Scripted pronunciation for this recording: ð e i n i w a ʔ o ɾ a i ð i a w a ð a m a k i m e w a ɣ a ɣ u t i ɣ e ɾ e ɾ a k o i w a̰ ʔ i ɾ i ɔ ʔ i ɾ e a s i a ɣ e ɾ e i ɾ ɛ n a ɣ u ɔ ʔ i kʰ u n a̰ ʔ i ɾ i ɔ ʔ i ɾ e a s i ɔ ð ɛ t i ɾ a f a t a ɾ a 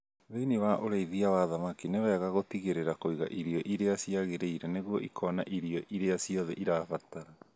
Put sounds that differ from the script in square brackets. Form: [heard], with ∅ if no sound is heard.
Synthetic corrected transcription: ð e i n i w a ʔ o ɾ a i ð i a w a ð a m a k i [n] e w [ɛ] ɣ a ɣ [o] t i ɣ e ɾ e ɾ a k o i [ɣ] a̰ ʔ i ɾ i ɔ ʔ i ɾ e a s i a ɣ e ɾ e i ɾ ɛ n [e] ɣ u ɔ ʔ i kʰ [ɔ] n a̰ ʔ i ɾ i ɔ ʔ i ɾ e a s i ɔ ð ɛ [ʔ] i ɾ a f a t a ɾ a